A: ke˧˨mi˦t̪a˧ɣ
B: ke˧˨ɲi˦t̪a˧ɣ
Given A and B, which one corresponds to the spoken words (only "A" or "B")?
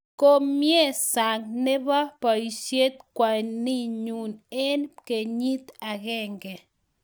B